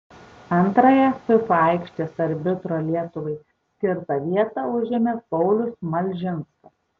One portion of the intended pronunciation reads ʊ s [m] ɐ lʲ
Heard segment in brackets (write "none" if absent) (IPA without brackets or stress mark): m